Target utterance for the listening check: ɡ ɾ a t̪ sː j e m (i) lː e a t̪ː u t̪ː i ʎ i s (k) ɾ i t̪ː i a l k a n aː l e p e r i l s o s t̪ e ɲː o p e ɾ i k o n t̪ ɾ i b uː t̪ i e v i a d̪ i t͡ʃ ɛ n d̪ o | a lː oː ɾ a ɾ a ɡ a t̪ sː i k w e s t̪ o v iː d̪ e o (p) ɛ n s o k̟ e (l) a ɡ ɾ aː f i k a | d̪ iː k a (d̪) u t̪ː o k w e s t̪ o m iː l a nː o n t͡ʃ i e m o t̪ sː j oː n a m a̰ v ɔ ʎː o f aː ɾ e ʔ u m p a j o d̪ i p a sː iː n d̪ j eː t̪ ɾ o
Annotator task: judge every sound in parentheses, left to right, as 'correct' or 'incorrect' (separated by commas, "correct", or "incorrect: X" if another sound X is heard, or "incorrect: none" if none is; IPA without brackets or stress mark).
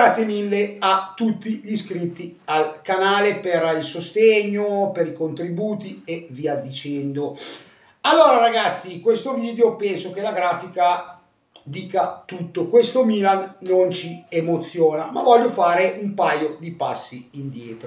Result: correct, correct, correct, correct, incorrect: t̪